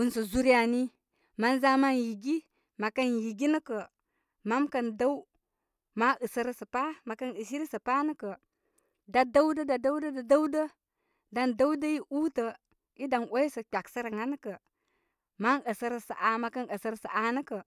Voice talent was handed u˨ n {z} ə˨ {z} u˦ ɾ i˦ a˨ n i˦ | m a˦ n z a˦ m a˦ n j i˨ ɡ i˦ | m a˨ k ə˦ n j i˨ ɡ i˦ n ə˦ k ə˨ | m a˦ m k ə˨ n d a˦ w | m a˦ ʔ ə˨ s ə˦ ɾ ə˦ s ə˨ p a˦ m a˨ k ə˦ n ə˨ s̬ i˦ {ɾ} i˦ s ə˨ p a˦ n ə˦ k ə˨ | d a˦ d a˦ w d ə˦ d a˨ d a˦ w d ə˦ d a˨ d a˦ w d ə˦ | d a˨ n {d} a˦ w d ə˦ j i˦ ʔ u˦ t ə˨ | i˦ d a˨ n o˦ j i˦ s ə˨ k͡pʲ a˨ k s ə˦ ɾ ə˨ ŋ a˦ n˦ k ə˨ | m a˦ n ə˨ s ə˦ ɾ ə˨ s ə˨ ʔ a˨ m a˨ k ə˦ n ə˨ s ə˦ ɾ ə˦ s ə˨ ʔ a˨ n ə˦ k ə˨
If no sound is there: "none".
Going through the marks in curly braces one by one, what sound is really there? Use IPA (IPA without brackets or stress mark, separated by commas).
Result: s, z, ɾ, d